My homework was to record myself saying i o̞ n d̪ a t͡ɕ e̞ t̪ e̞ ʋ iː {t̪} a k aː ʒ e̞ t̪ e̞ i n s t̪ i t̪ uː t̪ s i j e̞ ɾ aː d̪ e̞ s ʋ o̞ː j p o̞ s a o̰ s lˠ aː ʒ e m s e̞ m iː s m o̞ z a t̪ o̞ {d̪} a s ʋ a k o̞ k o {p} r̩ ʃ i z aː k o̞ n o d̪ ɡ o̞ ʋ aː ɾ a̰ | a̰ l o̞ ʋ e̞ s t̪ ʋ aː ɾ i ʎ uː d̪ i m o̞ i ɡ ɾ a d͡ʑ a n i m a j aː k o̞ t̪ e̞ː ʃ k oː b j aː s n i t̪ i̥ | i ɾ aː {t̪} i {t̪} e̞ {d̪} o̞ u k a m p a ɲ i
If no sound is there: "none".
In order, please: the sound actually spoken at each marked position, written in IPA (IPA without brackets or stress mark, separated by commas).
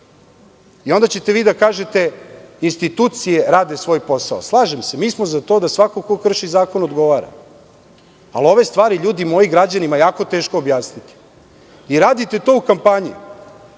d̪, d̪, k, d̪, t̪, t̪